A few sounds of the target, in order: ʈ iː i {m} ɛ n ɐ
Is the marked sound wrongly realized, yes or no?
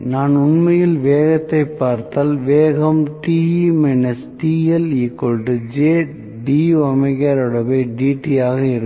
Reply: no